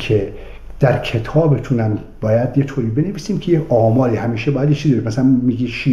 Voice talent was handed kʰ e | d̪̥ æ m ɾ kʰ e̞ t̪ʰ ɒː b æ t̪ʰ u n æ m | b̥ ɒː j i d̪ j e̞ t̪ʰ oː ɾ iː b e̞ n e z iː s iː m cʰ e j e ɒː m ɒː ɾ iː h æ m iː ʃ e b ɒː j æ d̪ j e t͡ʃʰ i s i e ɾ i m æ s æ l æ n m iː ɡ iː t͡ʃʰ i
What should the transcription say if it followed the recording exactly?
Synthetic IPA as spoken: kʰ e | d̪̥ æ ɾ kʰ e̞ t̪ʰ ɒː b e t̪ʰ u n æ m | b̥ ɒː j æ d̪ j e̞ t̪ʰ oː ɾ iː b e̞ n e v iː s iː m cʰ e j e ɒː m ɒː ɾ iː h æ m iː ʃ e b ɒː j æ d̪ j e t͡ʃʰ i z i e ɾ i m æ s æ l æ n m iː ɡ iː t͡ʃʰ i